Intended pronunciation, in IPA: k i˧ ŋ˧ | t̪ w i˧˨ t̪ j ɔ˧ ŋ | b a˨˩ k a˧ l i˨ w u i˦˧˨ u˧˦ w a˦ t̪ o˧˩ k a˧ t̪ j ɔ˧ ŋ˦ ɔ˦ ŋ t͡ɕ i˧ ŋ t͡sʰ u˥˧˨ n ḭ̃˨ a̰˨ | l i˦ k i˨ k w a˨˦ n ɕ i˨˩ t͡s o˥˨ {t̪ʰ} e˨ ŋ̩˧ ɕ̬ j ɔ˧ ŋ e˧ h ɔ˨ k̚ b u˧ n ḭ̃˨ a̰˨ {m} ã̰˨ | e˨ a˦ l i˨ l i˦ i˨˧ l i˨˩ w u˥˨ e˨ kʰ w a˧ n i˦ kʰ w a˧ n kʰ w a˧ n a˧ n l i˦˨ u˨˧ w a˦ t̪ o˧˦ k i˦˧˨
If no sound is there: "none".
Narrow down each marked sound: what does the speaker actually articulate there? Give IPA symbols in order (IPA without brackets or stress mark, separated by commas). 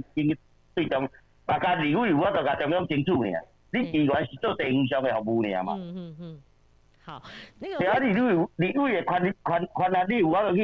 t̪, m